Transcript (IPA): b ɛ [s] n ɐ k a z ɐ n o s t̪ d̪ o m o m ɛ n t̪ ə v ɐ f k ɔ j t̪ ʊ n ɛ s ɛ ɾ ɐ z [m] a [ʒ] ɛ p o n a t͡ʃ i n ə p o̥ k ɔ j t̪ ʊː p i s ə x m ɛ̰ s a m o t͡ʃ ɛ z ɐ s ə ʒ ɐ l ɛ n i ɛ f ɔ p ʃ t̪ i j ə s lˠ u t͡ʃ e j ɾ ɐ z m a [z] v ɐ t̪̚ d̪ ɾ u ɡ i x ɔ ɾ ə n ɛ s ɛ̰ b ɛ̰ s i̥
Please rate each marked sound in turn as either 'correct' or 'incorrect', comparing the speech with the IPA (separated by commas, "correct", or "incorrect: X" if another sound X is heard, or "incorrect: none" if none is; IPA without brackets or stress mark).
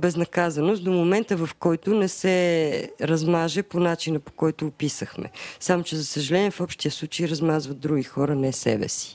incorrect: z, correct, correct, correct